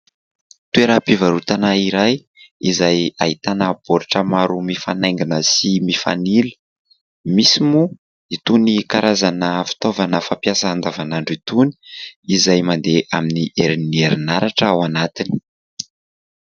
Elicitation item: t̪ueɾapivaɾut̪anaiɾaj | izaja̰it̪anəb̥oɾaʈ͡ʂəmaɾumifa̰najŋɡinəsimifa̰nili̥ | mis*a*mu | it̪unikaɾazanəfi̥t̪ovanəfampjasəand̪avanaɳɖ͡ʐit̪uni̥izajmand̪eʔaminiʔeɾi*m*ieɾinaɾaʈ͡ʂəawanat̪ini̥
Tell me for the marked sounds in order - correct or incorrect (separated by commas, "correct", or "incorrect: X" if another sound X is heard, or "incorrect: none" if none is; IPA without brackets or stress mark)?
incorrect: i, incorrect: n